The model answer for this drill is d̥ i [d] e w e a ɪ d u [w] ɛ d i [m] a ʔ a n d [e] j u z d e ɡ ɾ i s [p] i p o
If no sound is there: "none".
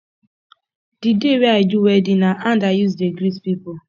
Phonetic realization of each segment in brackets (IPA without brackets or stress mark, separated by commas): d, w, n, a, p